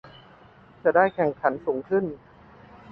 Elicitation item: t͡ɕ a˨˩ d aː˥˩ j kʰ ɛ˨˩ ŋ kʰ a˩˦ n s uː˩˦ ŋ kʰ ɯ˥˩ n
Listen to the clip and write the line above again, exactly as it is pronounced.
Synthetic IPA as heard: t͡ɕ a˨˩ d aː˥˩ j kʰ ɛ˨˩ ŋ kʰ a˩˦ n s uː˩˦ ŋ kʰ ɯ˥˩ n